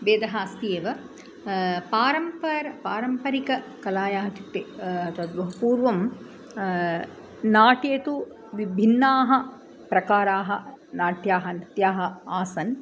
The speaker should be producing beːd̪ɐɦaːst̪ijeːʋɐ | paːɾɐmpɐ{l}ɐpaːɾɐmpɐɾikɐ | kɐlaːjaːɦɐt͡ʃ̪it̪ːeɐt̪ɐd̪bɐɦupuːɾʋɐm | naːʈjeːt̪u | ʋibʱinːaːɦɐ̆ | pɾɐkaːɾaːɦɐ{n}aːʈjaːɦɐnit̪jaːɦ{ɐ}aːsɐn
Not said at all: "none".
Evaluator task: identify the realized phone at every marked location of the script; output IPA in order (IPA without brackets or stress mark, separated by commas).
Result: ɾ, n, ɐ